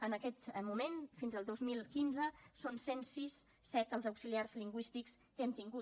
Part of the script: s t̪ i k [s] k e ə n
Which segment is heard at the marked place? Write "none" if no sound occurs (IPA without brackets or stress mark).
s